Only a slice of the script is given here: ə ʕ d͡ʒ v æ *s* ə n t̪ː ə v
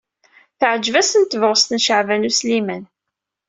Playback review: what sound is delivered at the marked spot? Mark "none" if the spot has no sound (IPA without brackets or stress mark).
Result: s